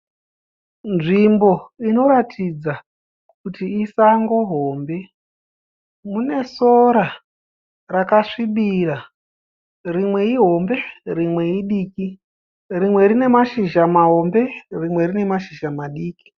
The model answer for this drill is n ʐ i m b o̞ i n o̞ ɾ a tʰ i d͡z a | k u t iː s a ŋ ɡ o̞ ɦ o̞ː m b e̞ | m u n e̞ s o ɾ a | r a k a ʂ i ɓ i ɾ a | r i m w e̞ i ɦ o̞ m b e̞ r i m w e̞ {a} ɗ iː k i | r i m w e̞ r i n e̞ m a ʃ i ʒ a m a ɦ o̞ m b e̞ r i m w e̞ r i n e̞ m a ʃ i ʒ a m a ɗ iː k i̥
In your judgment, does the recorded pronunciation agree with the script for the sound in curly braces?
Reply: no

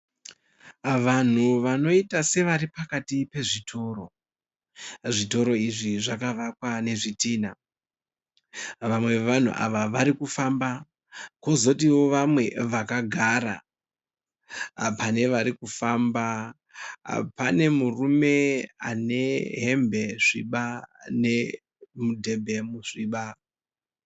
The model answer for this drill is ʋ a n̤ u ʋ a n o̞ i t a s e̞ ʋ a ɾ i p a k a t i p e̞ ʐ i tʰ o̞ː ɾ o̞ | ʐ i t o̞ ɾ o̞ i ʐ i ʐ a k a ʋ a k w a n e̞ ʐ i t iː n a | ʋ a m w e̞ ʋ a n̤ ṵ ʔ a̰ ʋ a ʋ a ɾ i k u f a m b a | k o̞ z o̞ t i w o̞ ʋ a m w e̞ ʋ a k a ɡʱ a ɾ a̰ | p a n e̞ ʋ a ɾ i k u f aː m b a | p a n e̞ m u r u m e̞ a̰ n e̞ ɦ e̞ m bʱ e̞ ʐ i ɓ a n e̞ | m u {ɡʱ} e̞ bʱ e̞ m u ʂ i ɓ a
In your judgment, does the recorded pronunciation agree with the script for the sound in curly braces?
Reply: no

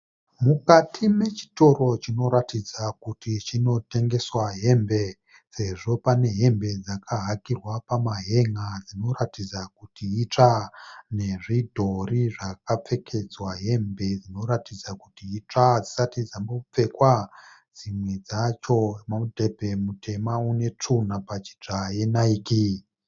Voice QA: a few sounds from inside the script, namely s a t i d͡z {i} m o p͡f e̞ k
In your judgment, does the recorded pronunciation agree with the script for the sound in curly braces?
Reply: no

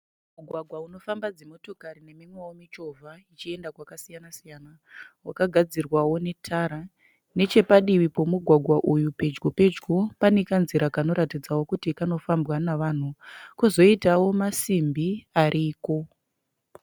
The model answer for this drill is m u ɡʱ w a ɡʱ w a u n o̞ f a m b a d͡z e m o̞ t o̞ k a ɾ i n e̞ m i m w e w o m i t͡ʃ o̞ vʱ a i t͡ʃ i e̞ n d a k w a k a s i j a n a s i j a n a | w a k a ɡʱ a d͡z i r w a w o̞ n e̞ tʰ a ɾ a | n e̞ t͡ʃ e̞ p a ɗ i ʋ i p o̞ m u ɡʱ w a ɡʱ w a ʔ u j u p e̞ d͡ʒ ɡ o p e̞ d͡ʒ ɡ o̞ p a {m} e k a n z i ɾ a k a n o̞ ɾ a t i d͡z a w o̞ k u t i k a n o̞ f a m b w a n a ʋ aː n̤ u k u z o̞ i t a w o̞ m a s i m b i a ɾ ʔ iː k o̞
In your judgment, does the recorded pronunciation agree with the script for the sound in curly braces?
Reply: no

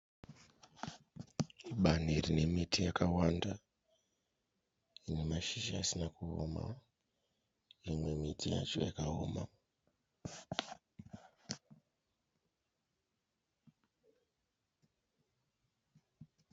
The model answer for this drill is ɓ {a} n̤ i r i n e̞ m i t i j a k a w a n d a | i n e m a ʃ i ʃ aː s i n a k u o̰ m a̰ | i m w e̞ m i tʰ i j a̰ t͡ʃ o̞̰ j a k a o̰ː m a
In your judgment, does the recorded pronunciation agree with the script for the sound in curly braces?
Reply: yes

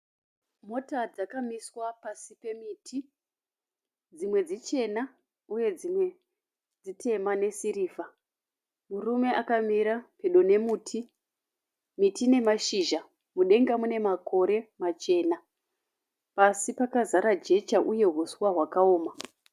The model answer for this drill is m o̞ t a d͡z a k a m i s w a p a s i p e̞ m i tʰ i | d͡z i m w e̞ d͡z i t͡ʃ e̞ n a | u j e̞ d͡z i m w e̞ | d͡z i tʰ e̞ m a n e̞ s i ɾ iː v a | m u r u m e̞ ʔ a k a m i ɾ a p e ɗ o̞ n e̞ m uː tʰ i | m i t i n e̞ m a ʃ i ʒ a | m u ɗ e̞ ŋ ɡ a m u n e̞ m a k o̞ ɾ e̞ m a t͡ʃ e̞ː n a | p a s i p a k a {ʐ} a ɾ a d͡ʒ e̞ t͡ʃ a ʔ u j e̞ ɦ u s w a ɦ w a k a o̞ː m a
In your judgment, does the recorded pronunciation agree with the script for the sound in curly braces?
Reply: no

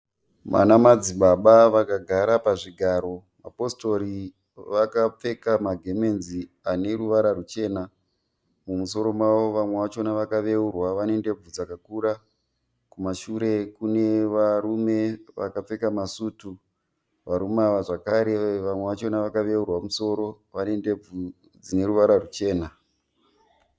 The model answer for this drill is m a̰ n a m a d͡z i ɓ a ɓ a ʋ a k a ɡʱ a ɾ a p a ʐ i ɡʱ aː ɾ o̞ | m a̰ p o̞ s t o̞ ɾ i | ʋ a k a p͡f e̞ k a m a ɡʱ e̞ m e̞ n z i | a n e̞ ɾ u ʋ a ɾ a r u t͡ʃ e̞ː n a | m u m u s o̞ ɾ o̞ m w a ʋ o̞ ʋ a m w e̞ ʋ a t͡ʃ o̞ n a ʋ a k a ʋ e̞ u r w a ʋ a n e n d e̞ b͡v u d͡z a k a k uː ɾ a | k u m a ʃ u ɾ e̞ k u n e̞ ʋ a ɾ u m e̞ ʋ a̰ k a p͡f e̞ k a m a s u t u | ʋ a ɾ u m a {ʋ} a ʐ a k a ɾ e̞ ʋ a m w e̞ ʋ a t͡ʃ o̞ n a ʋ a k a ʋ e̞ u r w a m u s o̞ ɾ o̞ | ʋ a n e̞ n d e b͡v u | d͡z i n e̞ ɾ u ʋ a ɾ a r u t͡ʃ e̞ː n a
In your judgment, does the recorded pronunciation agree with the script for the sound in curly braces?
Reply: yes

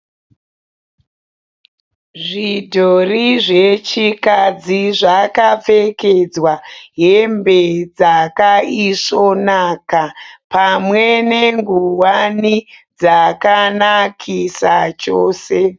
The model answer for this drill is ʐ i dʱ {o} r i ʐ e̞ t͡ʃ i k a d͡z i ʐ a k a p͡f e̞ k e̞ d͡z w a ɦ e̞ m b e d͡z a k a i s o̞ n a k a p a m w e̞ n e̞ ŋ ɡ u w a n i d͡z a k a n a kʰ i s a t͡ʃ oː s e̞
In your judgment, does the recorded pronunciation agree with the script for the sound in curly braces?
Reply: yes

